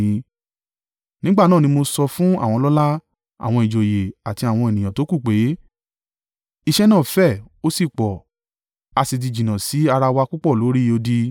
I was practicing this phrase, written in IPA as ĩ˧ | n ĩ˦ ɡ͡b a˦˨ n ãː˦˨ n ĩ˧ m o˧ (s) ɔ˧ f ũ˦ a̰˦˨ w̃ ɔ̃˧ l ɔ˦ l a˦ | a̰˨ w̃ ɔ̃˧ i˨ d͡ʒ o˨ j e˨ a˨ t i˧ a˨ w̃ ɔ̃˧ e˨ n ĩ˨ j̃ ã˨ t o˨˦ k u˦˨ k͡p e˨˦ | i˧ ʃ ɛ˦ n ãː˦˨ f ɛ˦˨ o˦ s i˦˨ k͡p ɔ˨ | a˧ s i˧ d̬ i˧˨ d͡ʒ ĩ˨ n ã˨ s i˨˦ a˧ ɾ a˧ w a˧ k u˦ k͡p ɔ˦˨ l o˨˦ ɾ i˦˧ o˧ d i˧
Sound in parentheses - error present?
no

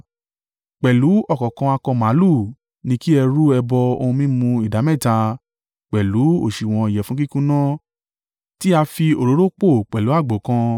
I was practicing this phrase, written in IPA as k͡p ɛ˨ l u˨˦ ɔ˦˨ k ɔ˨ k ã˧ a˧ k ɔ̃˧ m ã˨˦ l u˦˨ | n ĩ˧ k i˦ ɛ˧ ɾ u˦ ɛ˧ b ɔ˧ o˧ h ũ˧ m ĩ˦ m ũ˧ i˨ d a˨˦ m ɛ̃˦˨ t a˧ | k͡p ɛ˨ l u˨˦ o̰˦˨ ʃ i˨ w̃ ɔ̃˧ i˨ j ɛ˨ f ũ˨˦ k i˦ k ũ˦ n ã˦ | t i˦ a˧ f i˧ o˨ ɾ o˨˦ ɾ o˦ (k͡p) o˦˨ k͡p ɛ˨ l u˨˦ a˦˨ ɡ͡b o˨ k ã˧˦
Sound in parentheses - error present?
no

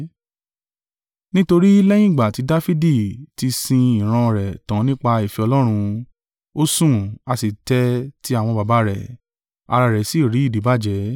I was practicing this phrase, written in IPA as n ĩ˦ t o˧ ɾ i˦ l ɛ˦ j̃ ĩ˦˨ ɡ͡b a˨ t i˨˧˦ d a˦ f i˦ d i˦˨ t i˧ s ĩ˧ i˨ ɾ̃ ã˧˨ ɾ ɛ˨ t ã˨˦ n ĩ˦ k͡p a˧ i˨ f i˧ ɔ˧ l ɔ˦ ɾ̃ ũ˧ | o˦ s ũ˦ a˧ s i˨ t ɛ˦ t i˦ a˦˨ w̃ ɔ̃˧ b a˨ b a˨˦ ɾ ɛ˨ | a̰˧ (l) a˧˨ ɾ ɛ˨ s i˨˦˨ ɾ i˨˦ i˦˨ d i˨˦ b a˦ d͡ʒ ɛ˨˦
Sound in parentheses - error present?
yes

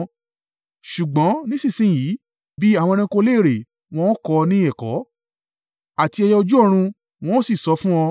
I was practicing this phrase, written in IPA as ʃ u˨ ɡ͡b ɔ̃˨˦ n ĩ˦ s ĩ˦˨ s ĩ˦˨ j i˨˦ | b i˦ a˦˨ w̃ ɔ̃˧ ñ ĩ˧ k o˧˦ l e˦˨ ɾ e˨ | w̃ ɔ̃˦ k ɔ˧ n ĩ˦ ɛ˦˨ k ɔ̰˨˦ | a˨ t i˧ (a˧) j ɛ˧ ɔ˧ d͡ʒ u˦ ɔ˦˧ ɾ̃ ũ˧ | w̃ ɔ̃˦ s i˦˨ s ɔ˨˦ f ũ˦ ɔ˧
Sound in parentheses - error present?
yes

